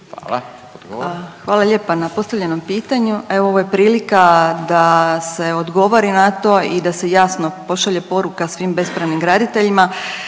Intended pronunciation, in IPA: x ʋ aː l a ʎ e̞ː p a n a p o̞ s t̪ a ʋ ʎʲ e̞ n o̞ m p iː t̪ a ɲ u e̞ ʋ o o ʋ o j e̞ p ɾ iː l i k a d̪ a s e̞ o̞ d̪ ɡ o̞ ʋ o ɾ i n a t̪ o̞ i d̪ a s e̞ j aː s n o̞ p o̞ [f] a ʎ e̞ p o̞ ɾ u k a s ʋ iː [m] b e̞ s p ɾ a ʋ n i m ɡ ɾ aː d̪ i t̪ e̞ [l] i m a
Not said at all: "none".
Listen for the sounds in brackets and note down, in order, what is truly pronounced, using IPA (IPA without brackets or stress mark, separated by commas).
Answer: ʃ, m, ʎ